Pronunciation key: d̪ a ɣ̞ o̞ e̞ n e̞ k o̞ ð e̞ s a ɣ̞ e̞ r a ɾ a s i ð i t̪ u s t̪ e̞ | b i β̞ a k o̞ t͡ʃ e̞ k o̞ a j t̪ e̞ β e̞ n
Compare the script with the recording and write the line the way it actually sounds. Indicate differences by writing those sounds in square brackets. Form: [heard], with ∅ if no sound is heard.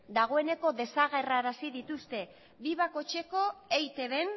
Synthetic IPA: d̪ a ɣ̞ o̞ e̞ n e̞ k o̞ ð e̞ s a ɣ̞ e̞ r a ɾ a s i ð i t̪ u s t̪ e̞ | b i β̞ a k o̞ t͡ʃ e̞ k o̞ [e] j t̪ e̞ β e̞ n

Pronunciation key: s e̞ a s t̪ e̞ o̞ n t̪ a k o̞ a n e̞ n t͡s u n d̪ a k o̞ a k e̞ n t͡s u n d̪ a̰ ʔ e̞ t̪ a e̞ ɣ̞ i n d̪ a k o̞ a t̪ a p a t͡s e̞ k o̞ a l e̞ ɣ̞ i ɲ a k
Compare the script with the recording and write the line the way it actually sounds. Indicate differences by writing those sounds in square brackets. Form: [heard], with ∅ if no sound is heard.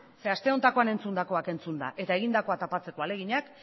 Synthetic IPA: s e̞ a s t̪ e̞ o̞ n t̪ a k o̞ a n e̞ n t͡s u n d̪ a k o̞ a k e̞ n t͡s u n d̪ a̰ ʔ e̞ t̪ a e̞ ɣ̞ i n d̪ a k o̞ a t̪ a p a t͡s e̞ k o̞ a l e̞ ɣ̞ i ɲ a k

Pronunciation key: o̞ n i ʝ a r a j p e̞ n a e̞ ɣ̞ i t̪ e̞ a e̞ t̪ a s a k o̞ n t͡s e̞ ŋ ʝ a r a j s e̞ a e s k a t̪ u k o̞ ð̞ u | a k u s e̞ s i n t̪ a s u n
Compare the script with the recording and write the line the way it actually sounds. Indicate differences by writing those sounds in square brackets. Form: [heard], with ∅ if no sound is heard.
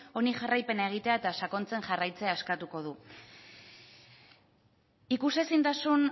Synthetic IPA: o̞ n i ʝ a r a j p e̞ n a e̞ ɣ̞ i t̪ e̞ a e̞ t̪ a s a k o̞ n t͡s e̞ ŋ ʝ a r a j [t͡s] e̞ a e s k a t̪ u k o̞ ð̞ u | [i] k u s e̞ s i n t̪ a s u n

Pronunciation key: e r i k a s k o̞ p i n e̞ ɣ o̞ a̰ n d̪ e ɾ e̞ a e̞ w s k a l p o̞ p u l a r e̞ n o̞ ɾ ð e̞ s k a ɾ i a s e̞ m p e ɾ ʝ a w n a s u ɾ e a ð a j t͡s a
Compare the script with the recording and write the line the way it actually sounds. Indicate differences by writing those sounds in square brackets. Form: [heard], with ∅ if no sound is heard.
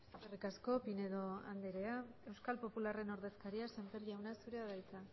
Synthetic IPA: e r i k a s k o̞ p i n e̞ [ð] o̞ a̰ n d̪ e ɾ e̞ a e̞ w s k a l p o̞ p u l a r e̞ n o̞ ɾ ð e̞ s k a ɾ i a s e̞ m p e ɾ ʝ a w n a s u ɾ e a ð a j t͡s a

